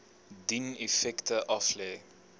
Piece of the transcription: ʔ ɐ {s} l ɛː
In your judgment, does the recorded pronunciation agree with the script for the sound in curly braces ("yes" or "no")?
no